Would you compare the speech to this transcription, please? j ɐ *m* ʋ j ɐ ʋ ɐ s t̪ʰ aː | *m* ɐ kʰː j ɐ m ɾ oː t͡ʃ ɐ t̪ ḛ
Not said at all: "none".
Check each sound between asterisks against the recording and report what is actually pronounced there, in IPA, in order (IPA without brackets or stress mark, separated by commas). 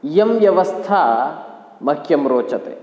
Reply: m, m